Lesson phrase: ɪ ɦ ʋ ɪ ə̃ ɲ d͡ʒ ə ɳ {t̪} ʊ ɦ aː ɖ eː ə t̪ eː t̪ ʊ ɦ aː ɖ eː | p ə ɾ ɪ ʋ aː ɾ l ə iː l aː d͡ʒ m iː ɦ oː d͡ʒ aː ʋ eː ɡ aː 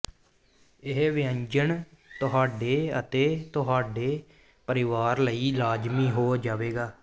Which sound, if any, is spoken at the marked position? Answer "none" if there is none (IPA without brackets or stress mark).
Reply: t̪